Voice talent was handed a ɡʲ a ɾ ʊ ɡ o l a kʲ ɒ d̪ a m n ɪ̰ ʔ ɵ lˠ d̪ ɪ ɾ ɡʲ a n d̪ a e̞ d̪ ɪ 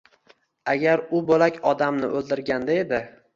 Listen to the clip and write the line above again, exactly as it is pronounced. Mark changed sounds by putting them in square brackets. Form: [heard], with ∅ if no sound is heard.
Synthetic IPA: a ɡʲ a ɾ ʊ [b] o l a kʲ ɒ d̪ a m n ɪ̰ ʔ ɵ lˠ d̪ ɪ ɾ ɡʲ a n d̪ a e̞ d̪ ɪ